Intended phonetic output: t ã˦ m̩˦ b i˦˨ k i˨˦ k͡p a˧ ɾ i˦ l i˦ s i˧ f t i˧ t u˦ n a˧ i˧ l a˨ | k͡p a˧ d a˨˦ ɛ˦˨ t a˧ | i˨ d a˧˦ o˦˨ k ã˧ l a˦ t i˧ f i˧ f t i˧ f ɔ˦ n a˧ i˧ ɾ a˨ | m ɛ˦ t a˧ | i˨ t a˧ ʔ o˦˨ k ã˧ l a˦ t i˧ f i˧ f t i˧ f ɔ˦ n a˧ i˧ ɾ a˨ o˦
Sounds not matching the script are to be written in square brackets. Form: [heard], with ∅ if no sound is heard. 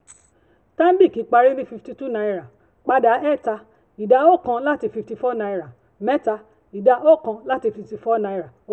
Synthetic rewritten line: t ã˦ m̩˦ b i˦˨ k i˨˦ k͡p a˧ ɾ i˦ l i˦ [f] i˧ f t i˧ t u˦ n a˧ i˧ [ɾ] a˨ | k͡p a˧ d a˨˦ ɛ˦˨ t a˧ | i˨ d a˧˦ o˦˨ k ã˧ l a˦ t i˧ f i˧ f t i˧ f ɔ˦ n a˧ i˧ ɾ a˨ | m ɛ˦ t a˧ | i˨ [d] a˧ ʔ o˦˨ k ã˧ l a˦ t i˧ f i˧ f t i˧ f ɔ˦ n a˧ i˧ ɾ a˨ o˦